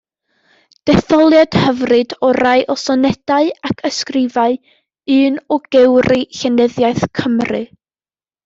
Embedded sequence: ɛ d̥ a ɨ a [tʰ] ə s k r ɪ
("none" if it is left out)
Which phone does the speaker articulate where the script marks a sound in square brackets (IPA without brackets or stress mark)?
kʰ